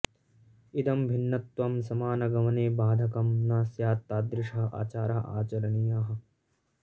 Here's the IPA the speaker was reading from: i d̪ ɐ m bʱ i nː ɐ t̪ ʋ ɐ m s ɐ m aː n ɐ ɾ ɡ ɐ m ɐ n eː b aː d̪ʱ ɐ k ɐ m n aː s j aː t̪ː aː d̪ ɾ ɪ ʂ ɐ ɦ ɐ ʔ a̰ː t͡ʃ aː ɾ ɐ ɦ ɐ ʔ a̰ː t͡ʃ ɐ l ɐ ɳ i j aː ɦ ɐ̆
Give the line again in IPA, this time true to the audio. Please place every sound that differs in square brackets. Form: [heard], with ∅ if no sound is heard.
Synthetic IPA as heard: i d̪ ɐ m bʱ i nː ɐ t̪ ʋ ɐ m s ɐ m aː n ɐ [∅] ɡ ɐ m ɐ n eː b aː d̪ʱ ɐ k ɐ m n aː s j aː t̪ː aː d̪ ɾ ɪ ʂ ɐ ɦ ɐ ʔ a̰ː t͡ʃ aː ɾ ɐ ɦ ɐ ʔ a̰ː t͡ʃ ɐ [ɾ] ɐ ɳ i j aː ɦ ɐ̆

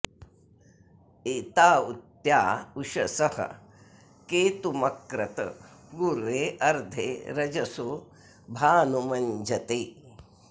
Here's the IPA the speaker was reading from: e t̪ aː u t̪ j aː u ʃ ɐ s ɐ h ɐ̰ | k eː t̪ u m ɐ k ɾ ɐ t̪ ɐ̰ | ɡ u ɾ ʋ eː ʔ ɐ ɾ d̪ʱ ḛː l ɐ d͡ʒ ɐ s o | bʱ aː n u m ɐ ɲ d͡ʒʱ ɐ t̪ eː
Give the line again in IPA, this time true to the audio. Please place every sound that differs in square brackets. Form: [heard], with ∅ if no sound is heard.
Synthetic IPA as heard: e t̪ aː u t̪ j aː u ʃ ɐ s ɐ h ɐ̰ | k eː t̪ u m ɐ k ɾ ɐ t̪ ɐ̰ | ɡ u ɾ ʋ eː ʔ ɐ ɾ d̪ʱ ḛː [ɾ] ɐ d͡ʒ ɐ s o | bʱ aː n u m ɐ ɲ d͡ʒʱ ɐ t̪ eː

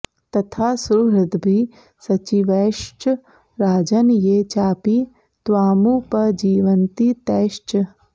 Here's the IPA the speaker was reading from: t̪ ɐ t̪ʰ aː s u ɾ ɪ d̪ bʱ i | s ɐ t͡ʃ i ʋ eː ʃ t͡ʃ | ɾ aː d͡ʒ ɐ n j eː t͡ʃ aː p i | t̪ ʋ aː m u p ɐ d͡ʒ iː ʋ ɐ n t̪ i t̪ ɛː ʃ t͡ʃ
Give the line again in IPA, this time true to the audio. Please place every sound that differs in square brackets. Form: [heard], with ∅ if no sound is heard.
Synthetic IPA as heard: t̪ ɐ t̪ʰ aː s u ɾ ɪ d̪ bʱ i | s ɐ t͡ʃ i ʋ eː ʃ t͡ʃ | ɾ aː d͡ʒ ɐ n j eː t͡ʃ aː p i | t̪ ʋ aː m u p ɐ d͡ʒ iː ʋ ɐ n t̪ i t̪ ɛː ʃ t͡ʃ

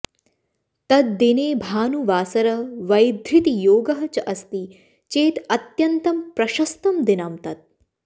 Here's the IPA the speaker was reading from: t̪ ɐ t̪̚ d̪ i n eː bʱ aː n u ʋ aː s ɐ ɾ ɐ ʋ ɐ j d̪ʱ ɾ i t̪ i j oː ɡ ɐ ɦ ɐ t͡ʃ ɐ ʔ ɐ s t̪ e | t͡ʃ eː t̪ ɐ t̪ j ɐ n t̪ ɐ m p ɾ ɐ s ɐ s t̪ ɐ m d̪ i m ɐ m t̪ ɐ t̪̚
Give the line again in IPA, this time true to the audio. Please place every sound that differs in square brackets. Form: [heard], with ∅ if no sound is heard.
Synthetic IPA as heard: t̪ ɐ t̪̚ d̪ i n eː bʱ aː n u ʋ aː s ɐ ɾ ɐ ʋ ɐ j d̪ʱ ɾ i t̪ i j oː ɡ ɐ ɦ ɐ t͡ʃ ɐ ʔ ɐ s t̪ [i] | t͡ʃ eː t̪ ɐ t̪ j ɐ n t̪ ɐ m p ɾ ɐ [ʃ] ɐ s t̪ ɐ m d̪ i [n] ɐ m t̪ ɐ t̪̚

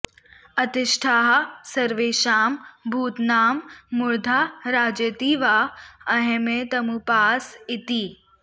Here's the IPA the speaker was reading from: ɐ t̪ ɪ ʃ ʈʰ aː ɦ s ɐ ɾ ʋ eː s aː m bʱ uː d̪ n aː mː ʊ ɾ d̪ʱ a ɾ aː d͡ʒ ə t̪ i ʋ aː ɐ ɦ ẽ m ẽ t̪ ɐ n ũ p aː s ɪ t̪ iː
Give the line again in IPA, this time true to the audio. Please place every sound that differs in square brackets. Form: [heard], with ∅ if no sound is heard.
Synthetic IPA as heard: ɐ t̪ ɪ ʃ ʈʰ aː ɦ s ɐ ɾ ʋ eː [ʃ] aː m bʱ uː [t̪] n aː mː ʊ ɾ d̪ʱ a ɾ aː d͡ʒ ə t̪ i ʋ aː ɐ ɦ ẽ m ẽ t̪ ɐ [m] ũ p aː s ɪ t̪ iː

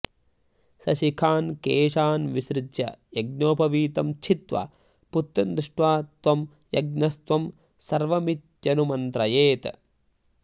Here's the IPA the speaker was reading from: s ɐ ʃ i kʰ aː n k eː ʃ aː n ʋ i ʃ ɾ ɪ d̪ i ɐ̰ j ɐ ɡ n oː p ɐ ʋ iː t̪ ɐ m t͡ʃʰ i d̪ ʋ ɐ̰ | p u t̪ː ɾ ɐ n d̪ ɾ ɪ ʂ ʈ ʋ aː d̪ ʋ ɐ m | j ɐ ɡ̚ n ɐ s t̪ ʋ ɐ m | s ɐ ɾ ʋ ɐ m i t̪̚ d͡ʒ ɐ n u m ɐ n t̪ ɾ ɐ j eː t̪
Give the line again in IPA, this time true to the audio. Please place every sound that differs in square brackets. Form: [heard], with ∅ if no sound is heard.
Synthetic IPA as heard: s ɐ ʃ i kʰ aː n k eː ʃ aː n ʋ i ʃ ɾ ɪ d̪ [j] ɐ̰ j ɐ ɡ n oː p ɐ ʋ iː t̪ ɐ m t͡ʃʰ i [t̪] ʋ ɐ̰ | p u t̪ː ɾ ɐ n d̪ ɾ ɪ ʂ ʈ ʋ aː [t̪] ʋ ɐ m | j ɐ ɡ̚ n ɐ s t̪ ʋ ɐ m | s ɐ ɾ ʋ ɐ m i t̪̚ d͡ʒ ɐ n u m ɐ n t̪ ɾ ɐ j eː t̪

